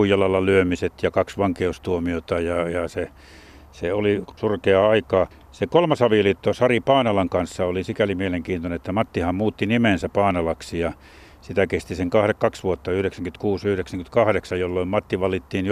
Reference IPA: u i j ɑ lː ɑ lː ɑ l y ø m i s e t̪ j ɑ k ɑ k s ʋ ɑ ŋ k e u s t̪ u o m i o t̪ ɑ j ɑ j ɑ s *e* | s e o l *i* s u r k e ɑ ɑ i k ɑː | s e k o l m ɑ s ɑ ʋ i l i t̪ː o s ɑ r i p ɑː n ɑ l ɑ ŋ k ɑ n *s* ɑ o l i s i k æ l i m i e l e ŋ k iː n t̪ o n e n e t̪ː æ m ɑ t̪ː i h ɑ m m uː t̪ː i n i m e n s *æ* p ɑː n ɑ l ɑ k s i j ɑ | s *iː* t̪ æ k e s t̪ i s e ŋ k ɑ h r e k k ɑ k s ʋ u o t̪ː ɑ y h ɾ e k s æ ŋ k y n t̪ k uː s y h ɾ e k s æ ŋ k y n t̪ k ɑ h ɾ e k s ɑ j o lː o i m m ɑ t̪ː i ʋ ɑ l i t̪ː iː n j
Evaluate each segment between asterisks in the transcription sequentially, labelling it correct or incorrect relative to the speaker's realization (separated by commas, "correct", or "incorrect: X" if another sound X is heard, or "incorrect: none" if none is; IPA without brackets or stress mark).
correct, correct, incorrect: sː, correct, incorrect: i